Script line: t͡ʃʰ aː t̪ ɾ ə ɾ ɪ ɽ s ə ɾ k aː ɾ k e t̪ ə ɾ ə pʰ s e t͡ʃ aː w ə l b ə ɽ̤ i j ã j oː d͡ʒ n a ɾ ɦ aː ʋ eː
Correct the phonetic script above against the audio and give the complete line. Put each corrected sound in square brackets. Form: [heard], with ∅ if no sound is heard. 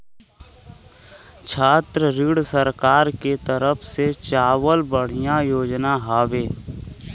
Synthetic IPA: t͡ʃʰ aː t̪ ɾ ə ɾ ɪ ɽ s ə ɾ k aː ɾ k e t̪ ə ɾ ə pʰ s e t͡ʃ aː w ə l b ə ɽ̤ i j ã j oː d͡ʒ n a [∅] ɦ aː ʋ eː